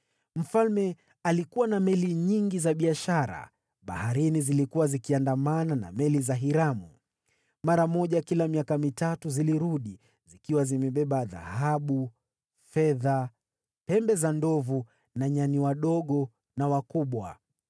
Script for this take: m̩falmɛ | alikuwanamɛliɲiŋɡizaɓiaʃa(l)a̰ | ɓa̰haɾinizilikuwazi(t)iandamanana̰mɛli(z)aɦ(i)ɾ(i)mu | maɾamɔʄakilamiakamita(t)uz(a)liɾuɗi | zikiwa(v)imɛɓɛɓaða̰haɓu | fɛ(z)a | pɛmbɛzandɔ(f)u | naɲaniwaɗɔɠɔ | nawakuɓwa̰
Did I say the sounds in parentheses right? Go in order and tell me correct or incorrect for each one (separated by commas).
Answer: incorrect, incorrect, correct, correct, incorrect, correct, incorrect, incorrect, incorrect, incorrect